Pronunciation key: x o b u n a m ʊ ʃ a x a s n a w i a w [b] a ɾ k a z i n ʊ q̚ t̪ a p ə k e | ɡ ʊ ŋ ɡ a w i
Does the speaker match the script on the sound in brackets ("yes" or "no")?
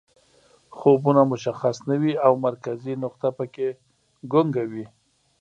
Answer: no